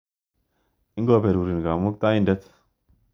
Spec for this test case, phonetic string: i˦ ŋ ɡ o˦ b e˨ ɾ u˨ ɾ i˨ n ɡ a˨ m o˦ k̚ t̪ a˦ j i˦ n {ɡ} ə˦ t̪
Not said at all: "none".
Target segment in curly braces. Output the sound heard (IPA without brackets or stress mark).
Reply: d